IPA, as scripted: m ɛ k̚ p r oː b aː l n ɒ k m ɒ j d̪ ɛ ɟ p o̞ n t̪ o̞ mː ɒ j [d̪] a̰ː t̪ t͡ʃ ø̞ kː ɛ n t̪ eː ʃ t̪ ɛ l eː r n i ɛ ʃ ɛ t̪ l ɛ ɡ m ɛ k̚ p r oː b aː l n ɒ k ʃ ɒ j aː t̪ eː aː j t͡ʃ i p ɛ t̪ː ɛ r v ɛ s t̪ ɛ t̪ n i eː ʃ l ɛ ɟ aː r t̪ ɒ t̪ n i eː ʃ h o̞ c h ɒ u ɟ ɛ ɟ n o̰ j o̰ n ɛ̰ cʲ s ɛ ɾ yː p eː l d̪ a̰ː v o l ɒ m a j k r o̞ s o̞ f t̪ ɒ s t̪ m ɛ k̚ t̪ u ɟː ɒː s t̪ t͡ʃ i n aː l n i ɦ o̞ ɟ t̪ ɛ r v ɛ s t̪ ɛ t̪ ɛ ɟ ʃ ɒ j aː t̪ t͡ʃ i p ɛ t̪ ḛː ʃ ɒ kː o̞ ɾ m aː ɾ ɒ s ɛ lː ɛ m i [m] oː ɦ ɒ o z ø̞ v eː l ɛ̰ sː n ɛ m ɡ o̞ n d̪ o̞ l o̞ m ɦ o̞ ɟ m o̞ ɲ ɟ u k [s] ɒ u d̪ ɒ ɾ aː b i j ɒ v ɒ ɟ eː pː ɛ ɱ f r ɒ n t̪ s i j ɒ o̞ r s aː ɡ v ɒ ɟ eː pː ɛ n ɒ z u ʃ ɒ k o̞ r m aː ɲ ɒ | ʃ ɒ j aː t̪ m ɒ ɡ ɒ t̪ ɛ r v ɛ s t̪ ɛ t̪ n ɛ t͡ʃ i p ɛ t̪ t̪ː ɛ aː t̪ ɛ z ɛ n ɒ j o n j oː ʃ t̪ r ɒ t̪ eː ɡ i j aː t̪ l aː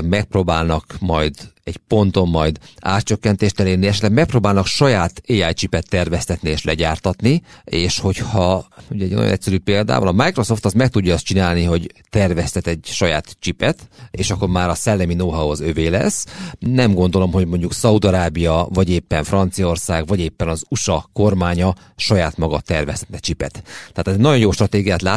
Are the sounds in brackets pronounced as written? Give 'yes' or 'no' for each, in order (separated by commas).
yes, no, yes